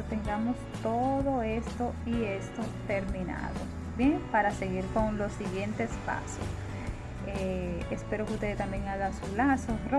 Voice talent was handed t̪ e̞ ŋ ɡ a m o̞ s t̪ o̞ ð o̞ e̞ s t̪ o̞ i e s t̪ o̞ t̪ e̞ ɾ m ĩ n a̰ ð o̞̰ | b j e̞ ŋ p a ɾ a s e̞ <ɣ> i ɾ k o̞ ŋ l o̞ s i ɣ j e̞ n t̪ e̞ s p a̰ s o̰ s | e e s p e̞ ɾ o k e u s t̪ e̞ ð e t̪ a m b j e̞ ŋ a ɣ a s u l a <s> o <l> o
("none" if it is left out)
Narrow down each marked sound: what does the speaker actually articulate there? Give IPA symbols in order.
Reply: ɣ, s, r

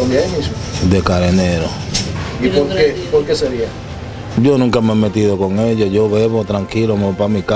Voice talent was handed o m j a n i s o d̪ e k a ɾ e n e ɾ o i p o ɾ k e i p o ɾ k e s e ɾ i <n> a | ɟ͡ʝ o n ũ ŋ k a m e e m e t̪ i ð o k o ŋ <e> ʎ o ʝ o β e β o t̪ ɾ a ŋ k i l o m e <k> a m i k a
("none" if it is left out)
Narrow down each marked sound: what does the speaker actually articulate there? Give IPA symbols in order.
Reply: none, e, p

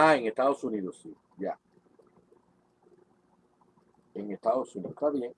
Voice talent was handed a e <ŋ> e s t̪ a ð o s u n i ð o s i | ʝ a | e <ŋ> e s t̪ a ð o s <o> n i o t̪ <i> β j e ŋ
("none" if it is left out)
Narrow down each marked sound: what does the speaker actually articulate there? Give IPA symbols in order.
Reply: ŋ, ŋ, u, a

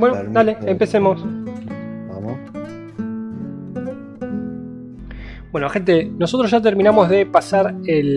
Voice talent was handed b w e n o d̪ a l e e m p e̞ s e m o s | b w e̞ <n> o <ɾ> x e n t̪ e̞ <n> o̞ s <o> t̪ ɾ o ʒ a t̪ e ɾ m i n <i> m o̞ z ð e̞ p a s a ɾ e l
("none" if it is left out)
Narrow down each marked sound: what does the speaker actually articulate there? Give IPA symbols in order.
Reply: n, none, n, o, a

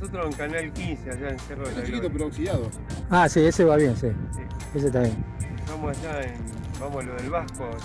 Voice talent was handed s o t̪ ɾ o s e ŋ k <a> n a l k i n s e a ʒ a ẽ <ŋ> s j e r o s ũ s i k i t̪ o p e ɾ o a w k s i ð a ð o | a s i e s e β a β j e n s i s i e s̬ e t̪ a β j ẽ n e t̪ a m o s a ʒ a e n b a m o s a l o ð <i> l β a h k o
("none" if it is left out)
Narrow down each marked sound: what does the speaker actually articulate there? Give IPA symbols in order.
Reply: a, n, e

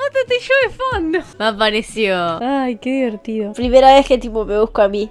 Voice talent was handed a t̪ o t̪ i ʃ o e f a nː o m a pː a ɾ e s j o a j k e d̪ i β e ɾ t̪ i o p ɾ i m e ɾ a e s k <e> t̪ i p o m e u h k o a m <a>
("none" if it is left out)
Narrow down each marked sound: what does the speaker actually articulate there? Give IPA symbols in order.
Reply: e, i

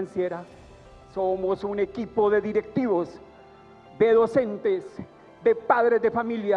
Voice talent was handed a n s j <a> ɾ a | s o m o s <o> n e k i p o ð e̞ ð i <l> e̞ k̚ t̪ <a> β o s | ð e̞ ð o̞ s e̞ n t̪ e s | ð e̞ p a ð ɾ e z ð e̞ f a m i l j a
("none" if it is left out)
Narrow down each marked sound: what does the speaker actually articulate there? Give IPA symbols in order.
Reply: e, u, ɾ, i

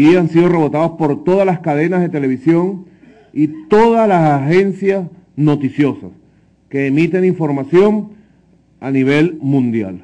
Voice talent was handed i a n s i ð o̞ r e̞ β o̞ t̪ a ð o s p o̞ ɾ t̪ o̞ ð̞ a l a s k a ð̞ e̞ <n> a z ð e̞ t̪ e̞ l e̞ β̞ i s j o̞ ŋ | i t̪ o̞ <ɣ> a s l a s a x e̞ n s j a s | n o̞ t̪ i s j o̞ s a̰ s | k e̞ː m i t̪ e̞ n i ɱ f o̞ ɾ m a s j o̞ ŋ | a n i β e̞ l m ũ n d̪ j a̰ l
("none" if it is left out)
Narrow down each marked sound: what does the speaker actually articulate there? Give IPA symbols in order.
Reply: n, ð

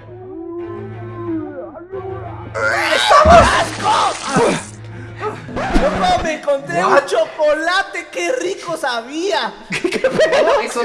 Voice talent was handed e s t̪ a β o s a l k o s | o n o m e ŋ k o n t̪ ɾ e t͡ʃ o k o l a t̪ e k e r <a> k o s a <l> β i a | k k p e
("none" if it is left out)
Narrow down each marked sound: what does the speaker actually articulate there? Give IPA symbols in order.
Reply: i, none

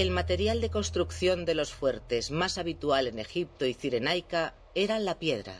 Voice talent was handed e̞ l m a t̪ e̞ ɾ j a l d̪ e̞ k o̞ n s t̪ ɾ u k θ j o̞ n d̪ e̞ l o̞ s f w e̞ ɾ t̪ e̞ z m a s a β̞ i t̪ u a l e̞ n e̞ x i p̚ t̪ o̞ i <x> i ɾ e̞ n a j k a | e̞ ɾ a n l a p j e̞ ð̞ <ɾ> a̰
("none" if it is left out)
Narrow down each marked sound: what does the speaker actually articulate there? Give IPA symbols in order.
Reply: θ, ɾ

